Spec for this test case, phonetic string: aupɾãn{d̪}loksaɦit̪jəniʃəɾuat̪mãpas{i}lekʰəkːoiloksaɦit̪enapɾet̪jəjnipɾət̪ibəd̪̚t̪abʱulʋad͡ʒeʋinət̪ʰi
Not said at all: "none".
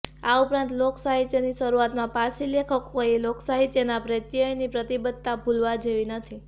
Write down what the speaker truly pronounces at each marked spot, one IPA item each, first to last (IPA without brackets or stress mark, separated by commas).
t̪, i